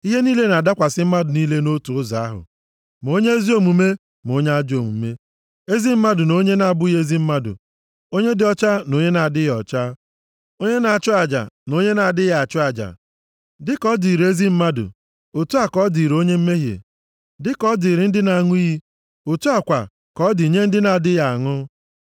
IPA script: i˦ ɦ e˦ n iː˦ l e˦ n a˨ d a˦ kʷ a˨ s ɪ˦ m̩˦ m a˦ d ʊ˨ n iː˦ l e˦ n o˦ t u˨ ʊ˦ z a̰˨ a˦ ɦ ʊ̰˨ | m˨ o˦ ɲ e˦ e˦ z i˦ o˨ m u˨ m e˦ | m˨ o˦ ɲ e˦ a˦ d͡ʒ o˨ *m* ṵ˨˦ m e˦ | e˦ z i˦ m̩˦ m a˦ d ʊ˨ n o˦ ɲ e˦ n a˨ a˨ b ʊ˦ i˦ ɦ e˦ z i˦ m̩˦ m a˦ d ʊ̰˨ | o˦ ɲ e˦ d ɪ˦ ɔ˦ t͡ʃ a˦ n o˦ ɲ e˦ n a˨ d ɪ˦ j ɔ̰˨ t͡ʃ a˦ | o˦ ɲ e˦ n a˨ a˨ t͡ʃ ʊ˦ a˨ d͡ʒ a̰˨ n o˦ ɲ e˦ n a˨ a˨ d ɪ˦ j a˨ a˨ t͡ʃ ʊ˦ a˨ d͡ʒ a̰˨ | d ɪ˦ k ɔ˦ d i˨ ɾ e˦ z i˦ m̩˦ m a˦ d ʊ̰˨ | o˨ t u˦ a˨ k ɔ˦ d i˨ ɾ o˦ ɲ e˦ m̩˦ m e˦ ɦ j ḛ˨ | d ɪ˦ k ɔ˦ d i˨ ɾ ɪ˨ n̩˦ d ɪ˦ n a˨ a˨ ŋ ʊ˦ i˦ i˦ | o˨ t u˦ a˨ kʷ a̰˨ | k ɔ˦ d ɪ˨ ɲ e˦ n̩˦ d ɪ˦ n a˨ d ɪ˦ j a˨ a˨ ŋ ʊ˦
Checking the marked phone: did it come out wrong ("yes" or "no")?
no